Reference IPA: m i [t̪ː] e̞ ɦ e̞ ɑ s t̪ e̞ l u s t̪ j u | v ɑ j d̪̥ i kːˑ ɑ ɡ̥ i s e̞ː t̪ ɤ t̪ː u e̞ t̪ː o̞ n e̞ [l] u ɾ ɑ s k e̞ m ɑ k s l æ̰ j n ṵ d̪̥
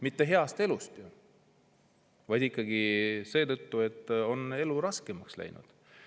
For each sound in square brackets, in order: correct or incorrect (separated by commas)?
correct, correct